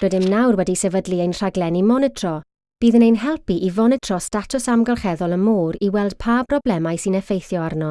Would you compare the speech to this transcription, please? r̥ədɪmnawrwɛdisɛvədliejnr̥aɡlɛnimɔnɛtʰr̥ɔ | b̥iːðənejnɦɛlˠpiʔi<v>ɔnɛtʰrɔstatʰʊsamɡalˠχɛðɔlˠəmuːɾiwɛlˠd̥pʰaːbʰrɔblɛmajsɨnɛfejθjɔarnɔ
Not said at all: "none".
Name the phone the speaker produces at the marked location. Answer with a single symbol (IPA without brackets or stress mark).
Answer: v